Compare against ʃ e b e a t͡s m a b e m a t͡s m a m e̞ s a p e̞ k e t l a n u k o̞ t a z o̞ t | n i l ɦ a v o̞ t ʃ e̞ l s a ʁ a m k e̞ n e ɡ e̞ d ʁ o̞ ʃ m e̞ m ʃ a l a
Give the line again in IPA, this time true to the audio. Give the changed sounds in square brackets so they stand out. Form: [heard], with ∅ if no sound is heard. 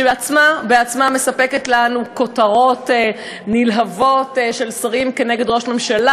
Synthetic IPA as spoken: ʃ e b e a t͡s m a b e [∅] a t͡s m a m e̞ s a p e̞ k e t l a n u k o̞ t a [ʁ] o̞ t | n i l ɦ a v o̞ t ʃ e̞ l s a ʁ [i] m k e̞ n e ɡ e̞ d ʁ o̞ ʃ m e̞ m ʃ a l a